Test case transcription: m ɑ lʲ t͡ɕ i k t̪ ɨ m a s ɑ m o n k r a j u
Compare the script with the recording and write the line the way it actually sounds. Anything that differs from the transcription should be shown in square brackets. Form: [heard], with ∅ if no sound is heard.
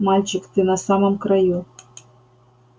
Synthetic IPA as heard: m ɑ lʲ t͡ɕ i k t̪ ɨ [n] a s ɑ m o [m] k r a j u

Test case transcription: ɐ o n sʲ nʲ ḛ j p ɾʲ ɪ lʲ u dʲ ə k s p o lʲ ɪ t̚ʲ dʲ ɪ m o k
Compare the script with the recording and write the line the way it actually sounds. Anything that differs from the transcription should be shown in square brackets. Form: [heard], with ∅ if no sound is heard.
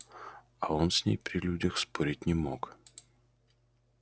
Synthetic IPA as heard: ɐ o n sʲ nʲ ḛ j p ɾʲ ɪ lʲ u dʲ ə [x] s p o [ɾʲ] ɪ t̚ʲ [nʲ] ɪ m o k

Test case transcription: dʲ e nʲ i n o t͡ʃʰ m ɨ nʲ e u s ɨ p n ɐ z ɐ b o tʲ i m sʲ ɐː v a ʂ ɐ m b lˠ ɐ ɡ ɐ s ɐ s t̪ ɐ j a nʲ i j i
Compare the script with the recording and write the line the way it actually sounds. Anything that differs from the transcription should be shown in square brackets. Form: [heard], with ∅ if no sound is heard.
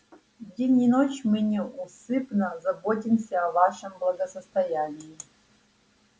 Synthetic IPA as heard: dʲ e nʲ i n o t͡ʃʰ m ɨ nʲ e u s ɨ p n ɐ z ɐ b o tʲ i m sʲ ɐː v a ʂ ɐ m b lˠ ɐ ɡ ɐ s ɐ s t̪ ɐ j a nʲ i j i

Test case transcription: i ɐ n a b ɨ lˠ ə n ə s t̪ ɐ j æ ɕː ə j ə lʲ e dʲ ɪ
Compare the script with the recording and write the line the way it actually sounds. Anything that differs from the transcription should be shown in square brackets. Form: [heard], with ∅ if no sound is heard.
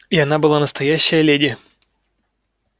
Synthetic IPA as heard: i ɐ n a b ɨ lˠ [a] n ə s t̪ ɐ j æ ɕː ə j ə lʲ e dʲ ɪ

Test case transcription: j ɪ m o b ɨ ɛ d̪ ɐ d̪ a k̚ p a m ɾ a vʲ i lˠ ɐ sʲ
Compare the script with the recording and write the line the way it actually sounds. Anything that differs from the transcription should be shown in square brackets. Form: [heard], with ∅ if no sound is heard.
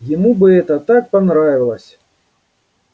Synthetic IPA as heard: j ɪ m [u] b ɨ ɛ [t̪] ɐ [t̪] a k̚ p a [n] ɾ a vʲ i lˠ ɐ sʲ

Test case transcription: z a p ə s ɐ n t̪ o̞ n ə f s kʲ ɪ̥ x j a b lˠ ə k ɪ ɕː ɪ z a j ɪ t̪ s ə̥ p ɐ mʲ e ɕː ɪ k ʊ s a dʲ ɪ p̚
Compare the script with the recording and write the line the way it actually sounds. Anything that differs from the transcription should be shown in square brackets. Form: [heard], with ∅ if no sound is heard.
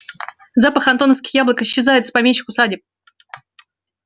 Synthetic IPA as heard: z a p ə [x] ɐ n t̪ o̞ n ə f s kʲ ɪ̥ x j a b lˠ ə k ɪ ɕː ɪ z a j ɪ t̪ s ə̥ p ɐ mʲ e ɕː ɪ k ʊ s a dʲ ɪ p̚

